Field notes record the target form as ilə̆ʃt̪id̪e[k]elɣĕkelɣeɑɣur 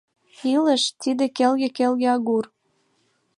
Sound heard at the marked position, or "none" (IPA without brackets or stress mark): k